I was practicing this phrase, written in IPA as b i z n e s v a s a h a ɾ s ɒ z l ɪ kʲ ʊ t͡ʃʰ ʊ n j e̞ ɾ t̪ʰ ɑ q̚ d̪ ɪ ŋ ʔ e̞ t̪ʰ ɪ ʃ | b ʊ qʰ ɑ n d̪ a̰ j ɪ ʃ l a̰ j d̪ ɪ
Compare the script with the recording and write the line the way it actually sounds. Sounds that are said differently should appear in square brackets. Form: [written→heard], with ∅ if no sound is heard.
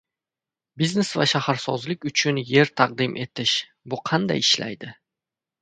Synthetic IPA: b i z n e s v a [s→ʃ] a h a ɾ s ɒ z l ɪ kʲ ʊ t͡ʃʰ ʊ n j e̞ ɾ t̪ʰ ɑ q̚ d̪ ɪ [ŋ→m] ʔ e̞ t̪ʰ ɪ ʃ | b ʊ qʰ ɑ n d̪ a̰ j ɪ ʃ l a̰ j d̪ ɪ